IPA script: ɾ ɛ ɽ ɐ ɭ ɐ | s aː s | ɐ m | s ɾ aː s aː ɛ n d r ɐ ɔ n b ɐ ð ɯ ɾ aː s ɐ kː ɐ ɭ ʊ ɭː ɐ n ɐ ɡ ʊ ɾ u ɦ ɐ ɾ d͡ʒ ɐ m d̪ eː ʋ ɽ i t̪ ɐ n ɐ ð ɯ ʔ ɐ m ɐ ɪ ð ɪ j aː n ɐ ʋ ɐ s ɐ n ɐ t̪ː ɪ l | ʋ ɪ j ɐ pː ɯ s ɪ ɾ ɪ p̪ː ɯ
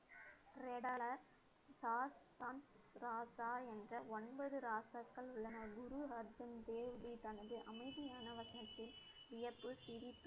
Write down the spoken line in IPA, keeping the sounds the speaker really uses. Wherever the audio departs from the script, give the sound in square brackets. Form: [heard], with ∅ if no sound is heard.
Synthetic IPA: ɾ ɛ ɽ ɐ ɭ ɐ | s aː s | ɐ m | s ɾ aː s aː ɛ n d r ɐ ɔ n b ɐ ð ɯ ɾ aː s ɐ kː ɐ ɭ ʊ ɭː ɐ n ɐ ɡ ʊ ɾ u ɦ ɐ ɾ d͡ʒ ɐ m d̪ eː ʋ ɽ i t̪ ɐ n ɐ ð ɯ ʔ ɐ m ɐ ɪ ð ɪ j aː n ɐ ʋ ɐ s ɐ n ɐ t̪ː ɪ l | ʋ ɪ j ɐ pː ɯ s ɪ ɾ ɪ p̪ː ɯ